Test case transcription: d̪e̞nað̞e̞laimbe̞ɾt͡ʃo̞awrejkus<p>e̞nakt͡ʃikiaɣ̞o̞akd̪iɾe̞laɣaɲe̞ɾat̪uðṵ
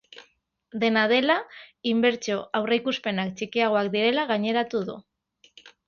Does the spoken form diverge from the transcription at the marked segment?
no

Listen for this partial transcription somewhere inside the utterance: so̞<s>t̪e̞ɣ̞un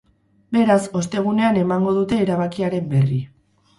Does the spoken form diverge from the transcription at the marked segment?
no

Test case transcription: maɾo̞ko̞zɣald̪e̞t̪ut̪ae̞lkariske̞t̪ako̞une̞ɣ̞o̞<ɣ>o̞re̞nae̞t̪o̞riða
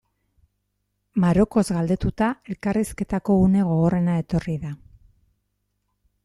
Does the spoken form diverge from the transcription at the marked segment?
no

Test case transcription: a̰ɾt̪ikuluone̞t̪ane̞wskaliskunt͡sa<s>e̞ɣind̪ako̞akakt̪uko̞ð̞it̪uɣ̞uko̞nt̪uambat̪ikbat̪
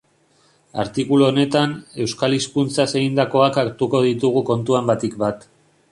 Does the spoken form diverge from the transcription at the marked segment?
no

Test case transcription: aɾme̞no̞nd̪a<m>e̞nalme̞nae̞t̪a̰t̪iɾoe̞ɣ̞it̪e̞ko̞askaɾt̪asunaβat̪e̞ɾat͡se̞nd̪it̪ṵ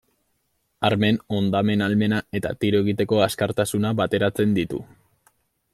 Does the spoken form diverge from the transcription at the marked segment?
no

